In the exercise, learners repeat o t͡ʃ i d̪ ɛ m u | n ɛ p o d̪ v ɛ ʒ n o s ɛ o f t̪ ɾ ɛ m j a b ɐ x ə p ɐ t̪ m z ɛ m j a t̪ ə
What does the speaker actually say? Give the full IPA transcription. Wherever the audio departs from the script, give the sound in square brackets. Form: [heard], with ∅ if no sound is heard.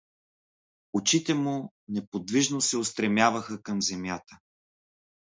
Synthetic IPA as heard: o t͡ʃ i [t̪] ɛ m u | n ɛ p o d̪ v [i] ʒ n o s ɛ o [s] t̪ ɾ ɛ m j a [v] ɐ x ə [k] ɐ [∅] m z ɛ m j a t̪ ə